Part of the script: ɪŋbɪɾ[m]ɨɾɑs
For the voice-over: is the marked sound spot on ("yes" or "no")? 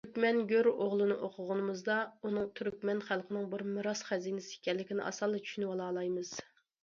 yes